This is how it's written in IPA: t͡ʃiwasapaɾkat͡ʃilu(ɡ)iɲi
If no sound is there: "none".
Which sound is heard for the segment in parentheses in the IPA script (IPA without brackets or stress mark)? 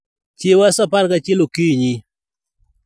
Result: k